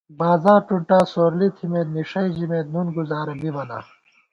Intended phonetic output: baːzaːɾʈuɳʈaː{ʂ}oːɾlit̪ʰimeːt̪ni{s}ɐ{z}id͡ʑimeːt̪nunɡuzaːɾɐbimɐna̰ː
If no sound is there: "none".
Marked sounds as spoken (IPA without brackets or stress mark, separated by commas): s, ʂ, none